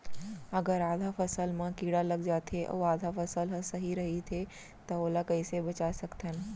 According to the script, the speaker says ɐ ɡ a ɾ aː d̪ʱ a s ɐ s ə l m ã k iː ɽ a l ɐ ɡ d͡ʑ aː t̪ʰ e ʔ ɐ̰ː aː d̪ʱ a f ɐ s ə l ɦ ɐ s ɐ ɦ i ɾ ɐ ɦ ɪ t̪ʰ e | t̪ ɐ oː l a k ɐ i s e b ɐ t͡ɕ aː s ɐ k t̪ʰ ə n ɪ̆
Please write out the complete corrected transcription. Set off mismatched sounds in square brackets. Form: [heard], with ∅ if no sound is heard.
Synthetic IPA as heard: ɐ ɡ [ə] ɾ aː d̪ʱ a [f] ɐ s ə l m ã k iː ɽ a l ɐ ɡ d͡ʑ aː t̪ʰ e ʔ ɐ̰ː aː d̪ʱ a f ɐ s ə l ɦ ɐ s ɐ ɦ i ɾ ɐ ɦ [i] t̪ʰ e | t̪ ɐ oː l a k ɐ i s e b ɐ t͡ɕ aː s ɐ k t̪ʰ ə n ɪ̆

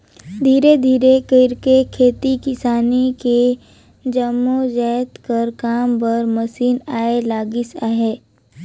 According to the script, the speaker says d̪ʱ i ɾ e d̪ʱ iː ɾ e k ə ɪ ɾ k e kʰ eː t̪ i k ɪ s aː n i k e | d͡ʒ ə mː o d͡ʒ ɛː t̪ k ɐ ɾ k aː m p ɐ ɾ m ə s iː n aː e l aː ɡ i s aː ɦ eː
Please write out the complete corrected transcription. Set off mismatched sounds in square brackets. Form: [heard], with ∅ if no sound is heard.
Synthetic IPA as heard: d̪ʱ [iː] ɾ e d̪ʱ iː ɾ e k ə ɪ ɾ k e kʰ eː t̪ i k ɪ s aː n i k e | d͡ʒ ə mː o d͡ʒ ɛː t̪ k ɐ ɾ k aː m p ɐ ɾ m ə s iː n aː e l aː ɡ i s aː ɦ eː

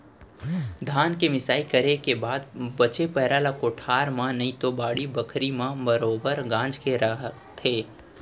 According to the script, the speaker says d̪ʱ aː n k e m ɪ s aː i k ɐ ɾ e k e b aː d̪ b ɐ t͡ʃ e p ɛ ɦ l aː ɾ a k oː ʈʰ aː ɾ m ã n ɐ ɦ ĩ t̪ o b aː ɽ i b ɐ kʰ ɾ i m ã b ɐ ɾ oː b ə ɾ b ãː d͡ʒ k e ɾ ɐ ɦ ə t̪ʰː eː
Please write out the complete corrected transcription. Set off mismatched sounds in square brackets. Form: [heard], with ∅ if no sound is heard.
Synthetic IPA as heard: d̪ʱ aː n k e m ɪ s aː i k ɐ ɾ e k e b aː d̪ b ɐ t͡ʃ e p ɛ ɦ [ɾ] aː [l] a k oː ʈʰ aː ɾ m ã n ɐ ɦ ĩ t̪ o b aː ɽ i b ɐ kʰ ɾ i m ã b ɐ ɾ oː b ə ɾ [ɡ] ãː d͡ʒ k e ɾ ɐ ɦ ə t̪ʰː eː

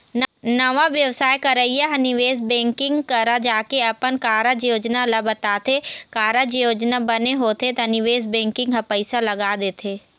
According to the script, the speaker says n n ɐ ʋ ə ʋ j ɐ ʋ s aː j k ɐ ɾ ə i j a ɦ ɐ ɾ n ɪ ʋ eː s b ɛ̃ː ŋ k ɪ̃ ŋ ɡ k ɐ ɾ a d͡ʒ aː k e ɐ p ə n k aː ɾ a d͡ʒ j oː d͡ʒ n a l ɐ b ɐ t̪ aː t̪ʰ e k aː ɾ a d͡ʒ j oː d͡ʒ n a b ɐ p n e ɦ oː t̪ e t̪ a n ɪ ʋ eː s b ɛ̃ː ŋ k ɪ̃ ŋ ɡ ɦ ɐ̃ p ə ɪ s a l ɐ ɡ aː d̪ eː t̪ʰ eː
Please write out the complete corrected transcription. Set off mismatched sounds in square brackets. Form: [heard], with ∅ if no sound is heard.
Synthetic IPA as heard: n n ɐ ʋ [a] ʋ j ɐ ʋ s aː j k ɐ ɾ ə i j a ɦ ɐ [∅] n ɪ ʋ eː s b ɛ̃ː ŋ k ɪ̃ ŋ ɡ k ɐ ɾ a d͡ʒ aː k e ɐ p ə n k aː ɾ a d͡ʒ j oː d͡ʒ n a l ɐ b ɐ t̪ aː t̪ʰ e k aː ɾ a d͡ʒ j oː d͡ʒ n a b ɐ [∅] n e ɦ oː t̪ e t̪ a n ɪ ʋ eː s b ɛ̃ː ŋ k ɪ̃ ŋ ɡ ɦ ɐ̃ p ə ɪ s a l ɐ ɡ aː d̪ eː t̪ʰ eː

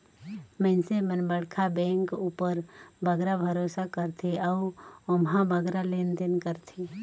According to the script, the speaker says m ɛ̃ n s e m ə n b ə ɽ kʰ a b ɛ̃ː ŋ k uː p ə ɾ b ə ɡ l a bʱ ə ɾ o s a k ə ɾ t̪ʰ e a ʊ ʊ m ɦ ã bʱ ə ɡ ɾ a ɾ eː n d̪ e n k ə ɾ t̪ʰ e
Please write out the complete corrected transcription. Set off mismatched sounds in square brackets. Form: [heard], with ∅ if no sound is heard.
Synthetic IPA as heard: m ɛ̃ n s e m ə n b ə ɽ kʰ a b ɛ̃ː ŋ k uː p ə ɾ b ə ɡ [ɾ] a bʱ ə ɾ o s a k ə ɾ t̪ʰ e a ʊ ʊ m ɦ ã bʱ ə ɡ ɾ a [l] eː n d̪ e n k ə ɾ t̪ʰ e

